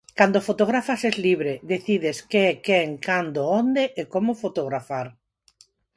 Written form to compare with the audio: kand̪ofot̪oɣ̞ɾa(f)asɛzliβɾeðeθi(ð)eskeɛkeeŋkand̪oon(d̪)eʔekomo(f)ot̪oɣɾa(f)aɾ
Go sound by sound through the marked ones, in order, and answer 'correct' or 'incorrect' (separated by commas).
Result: correct, correct, correct, correct, correct